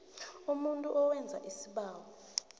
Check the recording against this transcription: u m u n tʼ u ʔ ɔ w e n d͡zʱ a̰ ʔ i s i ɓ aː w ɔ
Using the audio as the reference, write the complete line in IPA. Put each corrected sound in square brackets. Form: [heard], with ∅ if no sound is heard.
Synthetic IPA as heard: u m u n tʼ u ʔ ɔ w [ɛ] n d͡zʱ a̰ ʔ i s i ɓ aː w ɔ